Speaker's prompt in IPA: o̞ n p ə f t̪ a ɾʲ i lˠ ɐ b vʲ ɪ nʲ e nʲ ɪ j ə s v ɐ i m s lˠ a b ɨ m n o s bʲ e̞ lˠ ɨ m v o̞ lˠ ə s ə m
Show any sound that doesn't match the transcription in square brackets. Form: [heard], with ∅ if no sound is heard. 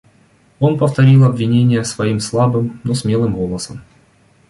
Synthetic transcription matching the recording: o̞ n p ə f t̪ [ɐ] ɾʲ i lˠ ɐ b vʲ ɪ nʲ e nʲ ɪ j ə s v ɐ i m s lˠ a b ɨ m n o s [mʲ] e̞ lˠ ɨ m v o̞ lˠ ə s ə m